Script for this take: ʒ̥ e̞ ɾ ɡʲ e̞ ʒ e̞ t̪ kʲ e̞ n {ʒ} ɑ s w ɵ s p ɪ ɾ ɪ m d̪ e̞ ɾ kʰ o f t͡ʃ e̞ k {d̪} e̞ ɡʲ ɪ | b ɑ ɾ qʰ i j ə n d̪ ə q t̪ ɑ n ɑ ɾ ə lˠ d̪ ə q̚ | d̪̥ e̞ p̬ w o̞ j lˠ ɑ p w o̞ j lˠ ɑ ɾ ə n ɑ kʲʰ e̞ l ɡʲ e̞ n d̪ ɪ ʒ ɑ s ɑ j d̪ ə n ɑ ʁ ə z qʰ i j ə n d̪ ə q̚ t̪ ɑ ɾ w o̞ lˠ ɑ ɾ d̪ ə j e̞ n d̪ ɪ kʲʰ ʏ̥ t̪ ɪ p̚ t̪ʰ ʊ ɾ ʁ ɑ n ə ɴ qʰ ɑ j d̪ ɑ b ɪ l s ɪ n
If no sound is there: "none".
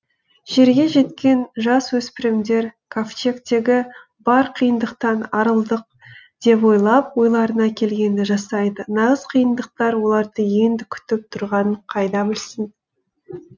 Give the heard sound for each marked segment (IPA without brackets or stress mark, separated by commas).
ʒ, t̪